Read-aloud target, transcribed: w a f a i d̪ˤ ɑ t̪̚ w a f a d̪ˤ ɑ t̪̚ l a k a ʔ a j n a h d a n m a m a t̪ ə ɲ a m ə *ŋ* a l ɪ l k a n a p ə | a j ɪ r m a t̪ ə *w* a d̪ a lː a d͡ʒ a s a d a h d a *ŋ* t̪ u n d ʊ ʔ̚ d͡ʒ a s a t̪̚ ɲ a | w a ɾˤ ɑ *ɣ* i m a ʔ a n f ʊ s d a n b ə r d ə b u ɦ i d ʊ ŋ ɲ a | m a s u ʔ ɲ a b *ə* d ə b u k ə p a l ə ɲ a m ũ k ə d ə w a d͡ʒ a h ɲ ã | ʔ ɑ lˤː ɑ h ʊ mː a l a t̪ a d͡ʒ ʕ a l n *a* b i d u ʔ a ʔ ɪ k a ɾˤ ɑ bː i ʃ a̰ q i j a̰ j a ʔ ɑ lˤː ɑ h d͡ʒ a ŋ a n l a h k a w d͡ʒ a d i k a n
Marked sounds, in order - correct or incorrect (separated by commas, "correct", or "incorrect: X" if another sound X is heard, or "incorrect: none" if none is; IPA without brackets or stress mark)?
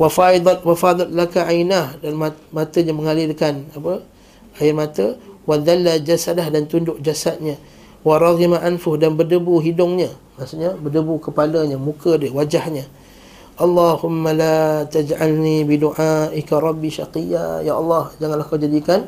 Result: correct, correct, incorrect: n, correct, correct, incorrect: i